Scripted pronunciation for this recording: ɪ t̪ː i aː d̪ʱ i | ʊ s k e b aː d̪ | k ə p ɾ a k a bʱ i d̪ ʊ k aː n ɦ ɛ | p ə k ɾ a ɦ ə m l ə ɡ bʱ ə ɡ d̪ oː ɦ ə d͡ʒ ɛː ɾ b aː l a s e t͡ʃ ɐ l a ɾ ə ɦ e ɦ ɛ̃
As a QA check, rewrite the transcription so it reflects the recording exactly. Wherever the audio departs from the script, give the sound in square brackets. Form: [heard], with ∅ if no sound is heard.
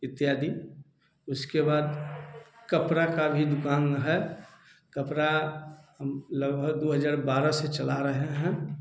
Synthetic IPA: ɪ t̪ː [j] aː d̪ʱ i | ʊ s k e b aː d̪ | k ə p ɾ a k a bʱ i d̪ ʊ k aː n ɦ ɛ | [k] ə [p] ɾ a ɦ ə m l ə ɡ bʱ ə ɡ d̪ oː ɦ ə d͡ʒ [aː] ɾ b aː [ɾ] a s e t͡ʃ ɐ l a ɾ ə ɦ e ɦ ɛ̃